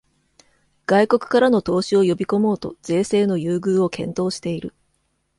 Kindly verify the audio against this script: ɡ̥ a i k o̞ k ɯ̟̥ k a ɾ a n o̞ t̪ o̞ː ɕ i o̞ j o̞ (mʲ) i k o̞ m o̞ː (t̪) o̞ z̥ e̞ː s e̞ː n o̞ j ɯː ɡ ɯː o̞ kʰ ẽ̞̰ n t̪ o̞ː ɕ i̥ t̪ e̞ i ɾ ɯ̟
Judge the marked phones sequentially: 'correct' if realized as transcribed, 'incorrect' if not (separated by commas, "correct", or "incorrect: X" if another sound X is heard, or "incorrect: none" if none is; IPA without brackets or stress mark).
incorrect: bʲ, correct